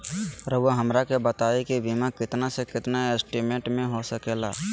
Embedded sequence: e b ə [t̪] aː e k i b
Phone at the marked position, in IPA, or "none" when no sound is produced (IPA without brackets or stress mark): t̪